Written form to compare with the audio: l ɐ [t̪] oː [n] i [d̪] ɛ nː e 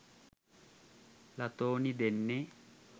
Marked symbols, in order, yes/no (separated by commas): yes, yes, yes